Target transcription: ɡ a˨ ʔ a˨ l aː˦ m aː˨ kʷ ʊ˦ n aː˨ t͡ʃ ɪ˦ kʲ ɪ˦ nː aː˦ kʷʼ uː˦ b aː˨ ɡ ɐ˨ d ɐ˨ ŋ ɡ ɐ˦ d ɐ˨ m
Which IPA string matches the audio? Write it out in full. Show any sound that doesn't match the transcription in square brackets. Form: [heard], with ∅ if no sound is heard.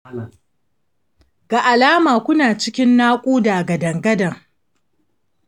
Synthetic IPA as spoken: ɡ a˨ ʔ a˨ l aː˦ m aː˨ kʷ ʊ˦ n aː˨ t͡ʃ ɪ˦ kʲ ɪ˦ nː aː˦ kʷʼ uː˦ [d] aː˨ ɡ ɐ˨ d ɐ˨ ŋ ɡ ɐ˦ d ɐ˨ [ŋ]